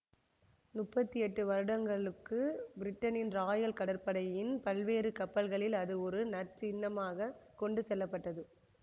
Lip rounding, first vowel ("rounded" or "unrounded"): rounded